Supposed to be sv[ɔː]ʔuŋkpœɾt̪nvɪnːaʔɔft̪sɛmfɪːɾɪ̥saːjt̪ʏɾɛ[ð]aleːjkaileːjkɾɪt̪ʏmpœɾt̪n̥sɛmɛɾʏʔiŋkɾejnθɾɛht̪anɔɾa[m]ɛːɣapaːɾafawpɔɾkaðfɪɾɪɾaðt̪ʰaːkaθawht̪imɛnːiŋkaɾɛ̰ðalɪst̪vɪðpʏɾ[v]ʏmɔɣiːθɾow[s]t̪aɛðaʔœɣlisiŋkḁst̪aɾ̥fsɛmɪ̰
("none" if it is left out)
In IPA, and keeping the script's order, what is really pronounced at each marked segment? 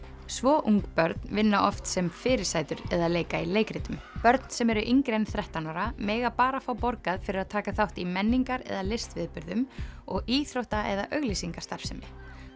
ɔː, ð, m, ð, h

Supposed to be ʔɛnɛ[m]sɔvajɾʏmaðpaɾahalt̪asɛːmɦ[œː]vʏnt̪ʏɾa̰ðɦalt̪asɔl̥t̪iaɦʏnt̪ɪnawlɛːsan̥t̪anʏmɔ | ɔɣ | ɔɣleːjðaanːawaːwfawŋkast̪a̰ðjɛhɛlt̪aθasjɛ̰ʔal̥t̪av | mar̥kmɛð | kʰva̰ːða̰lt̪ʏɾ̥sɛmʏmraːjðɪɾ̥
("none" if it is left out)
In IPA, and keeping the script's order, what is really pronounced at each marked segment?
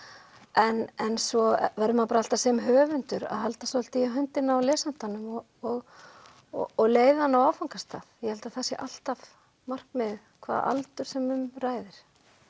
n, œː

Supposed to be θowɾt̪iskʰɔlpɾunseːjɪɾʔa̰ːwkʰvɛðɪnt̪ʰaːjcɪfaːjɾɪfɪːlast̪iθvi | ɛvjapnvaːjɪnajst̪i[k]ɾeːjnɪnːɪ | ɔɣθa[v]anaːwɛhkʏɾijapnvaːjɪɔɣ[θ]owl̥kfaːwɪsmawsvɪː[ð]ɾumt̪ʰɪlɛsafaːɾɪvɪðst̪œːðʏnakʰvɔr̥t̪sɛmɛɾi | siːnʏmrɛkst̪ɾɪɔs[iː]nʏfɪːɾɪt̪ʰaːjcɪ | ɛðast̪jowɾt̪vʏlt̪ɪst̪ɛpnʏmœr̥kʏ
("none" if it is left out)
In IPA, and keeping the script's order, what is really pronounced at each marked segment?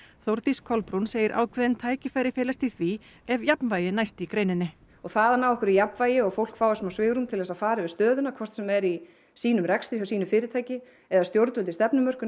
k, ð, f, ɣ, iː

